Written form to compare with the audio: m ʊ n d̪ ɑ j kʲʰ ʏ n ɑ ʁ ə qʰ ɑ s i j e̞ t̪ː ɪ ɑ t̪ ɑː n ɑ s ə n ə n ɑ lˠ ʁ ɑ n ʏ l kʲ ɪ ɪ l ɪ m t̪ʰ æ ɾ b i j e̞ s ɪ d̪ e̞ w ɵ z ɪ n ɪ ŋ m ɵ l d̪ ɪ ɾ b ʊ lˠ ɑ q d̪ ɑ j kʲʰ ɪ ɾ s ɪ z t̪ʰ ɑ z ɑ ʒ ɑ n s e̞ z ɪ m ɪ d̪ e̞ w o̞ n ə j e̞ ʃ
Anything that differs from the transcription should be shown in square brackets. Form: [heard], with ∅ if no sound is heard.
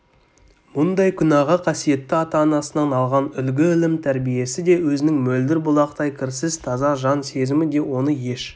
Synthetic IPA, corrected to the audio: m ʊ n d̪ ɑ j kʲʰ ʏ n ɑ ʁ ə qʰ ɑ s i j e̞ t̪ː ɪ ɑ t̪ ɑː n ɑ s ə n [ɑ] n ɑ lˠ ʁ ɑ n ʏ l [ɡʲ] ɪ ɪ l ɪ m t̪ʰ æ ɾ b i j e̞ s ɪ d̪ e̞ w ɵ z ɪ n ɪ ŋ m ɵ l d̪ ɪ ɾ b ʊ lˠ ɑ q [t̪] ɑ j kʲʰ ɪ ɾ s ɪ z t̪ʰ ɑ z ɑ ʒ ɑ n s e̞ z ɪ m ɪ d̪ e̞ w o̞ n ə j e̞ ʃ